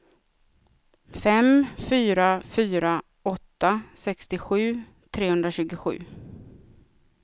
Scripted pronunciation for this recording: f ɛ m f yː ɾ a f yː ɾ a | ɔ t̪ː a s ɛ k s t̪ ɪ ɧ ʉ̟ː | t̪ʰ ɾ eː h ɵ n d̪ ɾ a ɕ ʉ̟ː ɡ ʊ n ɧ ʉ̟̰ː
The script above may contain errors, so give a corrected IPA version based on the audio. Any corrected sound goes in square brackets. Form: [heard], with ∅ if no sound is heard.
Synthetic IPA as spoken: f ɛ m f yː ɾ a f yː ɾ a | ɔ t̪ː a s ɛ k s t̪ ɪ ɧ ʉ̟ː | t̪ʰ ɾ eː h ɵ n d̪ ɾ a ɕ ʉ̟ː ɡ ʊ [∅] ɧ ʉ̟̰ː